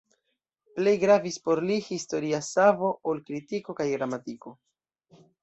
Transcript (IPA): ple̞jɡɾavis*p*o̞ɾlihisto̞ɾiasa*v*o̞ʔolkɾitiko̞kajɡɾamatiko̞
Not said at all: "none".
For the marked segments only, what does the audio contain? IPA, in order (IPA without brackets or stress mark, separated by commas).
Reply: p, v